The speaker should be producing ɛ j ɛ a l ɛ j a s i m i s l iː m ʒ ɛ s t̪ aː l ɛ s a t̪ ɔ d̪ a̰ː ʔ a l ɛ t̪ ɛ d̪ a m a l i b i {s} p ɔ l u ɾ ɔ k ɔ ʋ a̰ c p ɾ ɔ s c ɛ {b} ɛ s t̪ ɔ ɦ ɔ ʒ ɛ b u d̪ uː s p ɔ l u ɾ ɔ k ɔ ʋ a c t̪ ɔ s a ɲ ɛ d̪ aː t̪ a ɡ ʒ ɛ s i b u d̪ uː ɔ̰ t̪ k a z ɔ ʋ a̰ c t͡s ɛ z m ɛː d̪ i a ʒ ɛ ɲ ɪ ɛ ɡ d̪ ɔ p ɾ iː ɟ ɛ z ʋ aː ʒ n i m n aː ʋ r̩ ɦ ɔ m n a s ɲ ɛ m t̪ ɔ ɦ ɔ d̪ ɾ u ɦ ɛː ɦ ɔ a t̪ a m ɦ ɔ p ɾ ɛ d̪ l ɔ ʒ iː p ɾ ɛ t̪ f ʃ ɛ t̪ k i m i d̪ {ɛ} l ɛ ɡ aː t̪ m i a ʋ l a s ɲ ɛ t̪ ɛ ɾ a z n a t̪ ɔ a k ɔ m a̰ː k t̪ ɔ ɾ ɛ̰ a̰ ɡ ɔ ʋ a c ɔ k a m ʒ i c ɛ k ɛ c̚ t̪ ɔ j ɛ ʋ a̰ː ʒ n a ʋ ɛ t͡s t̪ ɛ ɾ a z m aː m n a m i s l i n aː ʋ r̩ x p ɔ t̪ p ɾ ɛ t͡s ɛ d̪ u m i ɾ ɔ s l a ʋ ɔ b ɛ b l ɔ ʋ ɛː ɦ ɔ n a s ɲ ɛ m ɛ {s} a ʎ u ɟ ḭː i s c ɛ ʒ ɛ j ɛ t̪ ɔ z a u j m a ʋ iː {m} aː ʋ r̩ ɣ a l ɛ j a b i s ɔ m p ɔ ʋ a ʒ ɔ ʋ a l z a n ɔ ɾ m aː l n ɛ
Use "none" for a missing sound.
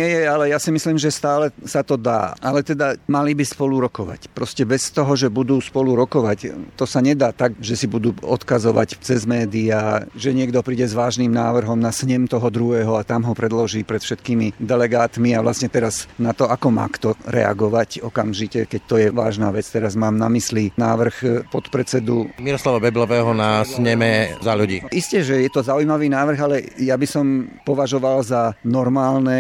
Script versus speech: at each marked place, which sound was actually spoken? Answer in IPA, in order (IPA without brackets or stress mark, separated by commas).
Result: s, b, ɛ, z, n